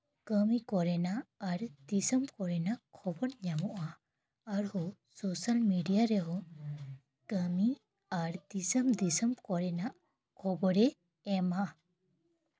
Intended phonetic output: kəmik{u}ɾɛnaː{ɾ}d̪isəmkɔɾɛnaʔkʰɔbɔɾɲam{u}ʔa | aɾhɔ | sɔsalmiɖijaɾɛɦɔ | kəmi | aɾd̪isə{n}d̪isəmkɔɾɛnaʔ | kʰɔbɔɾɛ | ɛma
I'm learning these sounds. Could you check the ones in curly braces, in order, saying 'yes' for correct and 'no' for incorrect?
no, yes, no, no

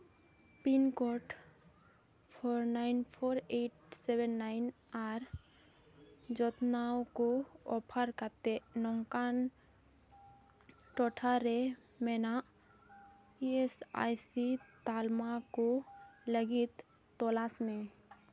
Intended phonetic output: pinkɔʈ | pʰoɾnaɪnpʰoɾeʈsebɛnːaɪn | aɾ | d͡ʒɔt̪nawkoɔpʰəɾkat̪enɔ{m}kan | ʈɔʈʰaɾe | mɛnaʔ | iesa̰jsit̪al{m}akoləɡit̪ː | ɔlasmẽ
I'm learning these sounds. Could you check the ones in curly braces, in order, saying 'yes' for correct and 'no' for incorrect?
no, yes

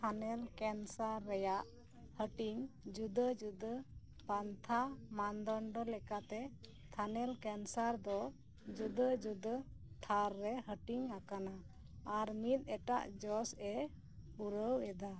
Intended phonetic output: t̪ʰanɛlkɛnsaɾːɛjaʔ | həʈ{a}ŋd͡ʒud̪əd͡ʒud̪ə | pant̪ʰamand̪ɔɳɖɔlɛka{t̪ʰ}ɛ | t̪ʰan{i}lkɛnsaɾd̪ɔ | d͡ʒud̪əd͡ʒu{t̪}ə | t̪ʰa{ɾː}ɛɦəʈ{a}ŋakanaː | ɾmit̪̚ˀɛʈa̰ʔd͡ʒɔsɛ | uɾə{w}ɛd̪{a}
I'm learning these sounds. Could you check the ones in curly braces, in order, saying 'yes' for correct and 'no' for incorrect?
no, no, no, no, yes, no, yes, yes

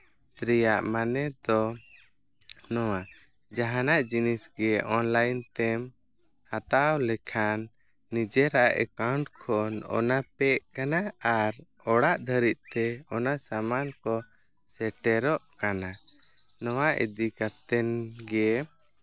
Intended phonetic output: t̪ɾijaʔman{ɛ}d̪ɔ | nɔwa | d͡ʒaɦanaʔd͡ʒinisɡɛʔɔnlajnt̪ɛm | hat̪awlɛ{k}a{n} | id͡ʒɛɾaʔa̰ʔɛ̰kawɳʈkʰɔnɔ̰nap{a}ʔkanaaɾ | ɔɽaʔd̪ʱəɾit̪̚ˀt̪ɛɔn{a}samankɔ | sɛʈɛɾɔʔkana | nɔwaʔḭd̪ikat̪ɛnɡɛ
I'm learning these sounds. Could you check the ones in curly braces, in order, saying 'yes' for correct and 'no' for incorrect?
yes, no, no, no, yes

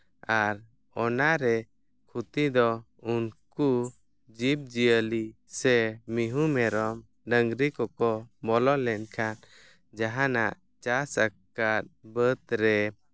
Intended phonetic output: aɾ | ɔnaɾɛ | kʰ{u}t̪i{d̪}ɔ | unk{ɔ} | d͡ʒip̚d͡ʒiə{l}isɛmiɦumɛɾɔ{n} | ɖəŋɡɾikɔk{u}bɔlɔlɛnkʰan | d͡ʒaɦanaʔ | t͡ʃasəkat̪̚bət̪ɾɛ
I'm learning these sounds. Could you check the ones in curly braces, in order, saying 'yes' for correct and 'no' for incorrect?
yes, yes, no, yes, no, no

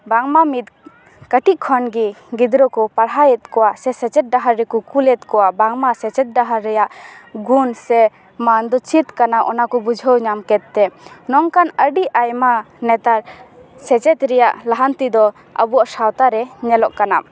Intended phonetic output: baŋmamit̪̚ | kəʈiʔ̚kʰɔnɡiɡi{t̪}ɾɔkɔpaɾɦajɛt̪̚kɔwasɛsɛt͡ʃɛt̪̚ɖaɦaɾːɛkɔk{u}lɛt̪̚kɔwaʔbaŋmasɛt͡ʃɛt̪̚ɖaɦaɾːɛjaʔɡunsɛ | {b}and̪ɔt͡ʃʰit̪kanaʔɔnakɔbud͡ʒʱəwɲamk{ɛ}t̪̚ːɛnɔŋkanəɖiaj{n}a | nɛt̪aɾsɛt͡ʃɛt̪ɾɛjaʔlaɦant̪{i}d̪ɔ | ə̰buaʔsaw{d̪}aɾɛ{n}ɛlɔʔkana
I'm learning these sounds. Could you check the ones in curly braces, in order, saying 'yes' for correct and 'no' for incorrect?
no, yes, no, yes, no, yes, no, no

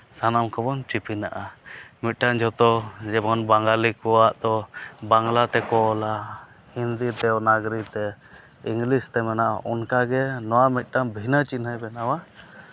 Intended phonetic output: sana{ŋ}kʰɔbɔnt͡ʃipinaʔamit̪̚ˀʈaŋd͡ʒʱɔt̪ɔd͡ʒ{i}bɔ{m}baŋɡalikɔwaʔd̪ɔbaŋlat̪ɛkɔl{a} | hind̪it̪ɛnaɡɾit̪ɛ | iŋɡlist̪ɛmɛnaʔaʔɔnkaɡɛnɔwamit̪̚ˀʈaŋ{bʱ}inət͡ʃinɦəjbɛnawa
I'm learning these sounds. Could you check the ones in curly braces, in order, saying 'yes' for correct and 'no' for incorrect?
no, no, no, yes, yes

